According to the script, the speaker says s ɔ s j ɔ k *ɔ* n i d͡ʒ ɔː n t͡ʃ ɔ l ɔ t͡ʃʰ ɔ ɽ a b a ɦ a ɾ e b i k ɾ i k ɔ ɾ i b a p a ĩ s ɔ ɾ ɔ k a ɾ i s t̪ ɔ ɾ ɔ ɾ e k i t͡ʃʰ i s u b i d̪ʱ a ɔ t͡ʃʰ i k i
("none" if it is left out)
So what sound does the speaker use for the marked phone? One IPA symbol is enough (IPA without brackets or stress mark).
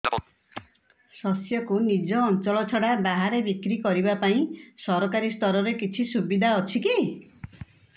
u